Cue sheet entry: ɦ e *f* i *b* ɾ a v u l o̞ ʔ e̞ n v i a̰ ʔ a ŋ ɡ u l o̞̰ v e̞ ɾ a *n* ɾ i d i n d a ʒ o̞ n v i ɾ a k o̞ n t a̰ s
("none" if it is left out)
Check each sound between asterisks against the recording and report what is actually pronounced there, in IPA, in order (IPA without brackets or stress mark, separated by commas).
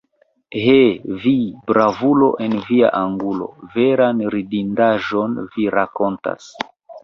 v, b, n